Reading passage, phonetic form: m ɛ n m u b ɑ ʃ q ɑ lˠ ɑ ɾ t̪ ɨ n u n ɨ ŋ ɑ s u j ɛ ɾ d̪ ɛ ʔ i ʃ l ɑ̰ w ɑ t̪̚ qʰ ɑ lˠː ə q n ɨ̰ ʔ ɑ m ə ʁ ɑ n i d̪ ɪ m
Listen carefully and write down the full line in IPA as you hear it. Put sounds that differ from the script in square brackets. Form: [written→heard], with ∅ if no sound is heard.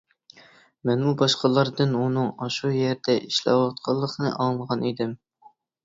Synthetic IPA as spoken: m ɛ n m u b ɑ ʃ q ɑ lˠ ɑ ɾ [t̪→d̪] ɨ n u n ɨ ŋ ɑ [s→ʃ] u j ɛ ɾ d̪ ɛ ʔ i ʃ l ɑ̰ w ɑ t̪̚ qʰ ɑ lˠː ə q n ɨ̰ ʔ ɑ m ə ʁ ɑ n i d̪ ɪ m

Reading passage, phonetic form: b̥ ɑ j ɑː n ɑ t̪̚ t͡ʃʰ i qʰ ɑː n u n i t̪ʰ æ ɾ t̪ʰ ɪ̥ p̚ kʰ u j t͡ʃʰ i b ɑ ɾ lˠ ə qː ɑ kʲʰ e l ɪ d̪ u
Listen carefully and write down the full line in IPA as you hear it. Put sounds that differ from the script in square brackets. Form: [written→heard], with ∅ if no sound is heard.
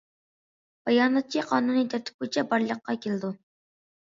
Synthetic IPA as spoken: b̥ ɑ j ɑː n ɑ t̪̚ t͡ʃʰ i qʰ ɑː n u n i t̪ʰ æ ɾ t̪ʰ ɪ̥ p̚ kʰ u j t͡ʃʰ [i→ɛ] b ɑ ɾ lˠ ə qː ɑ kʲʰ e l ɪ d̪ u

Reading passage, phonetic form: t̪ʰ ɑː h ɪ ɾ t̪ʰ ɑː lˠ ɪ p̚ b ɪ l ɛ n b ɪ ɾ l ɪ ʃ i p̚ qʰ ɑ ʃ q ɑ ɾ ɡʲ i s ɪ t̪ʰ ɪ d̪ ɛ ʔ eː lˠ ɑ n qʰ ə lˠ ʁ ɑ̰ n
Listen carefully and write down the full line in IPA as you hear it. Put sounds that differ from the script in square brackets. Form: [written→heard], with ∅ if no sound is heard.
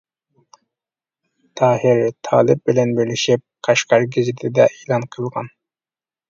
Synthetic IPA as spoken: t̪ʰ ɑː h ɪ ɾ t̪ʰ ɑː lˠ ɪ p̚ b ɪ l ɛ n b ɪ ɾ l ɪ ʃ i p̚ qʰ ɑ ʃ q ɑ ɾ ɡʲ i [s→z] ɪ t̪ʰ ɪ d̪ ɛ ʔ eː lˠ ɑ n qʰ ə lˠ ʁ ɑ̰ n

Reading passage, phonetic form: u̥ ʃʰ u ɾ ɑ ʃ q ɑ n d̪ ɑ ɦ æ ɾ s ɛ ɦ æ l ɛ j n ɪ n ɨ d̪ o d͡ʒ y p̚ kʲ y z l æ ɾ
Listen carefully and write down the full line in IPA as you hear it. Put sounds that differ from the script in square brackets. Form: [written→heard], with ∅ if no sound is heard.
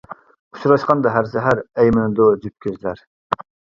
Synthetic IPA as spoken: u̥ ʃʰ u ɾ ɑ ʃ q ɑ n d̪ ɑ ɦ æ ɾ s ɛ ɦ æ [l→ɾ] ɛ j [n→m] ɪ n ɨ d̪ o d͡ʒ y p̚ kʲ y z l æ ɾ

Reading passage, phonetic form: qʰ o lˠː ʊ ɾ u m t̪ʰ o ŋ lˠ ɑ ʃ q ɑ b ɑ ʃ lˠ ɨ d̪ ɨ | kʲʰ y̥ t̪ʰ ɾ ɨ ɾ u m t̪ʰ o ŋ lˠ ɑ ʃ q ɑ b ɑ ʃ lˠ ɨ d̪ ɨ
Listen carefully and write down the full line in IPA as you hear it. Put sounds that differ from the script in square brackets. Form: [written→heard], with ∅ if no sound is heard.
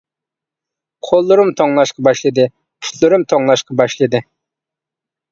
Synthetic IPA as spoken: qʰ o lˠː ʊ ɾ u m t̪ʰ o ŋ lˠ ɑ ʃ q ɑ b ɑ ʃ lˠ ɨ d̪ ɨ | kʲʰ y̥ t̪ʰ [ɾ→l] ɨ ɾ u m t̪ʰ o ŋ lˠ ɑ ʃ q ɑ b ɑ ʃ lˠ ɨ d̪ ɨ

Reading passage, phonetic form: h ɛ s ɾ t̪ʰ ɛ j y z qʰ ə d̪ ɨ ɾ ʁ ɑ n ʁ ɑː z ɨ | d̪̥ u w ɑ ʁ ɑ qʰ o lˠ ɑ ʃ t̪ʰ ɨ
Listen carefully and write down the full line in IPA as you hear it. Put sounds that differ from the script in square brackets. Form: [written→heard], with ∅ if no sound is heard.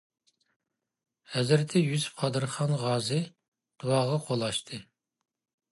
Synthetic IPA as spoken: h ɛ [s→z] ɾ t̪ʰ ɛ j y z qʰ [ə→ɑ] d̪ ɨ ɾ [ʁ→χ] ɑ n ʁ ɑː z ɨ | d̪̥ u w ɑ ʁ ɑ qʰ o lˠ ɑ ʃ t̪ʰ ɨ

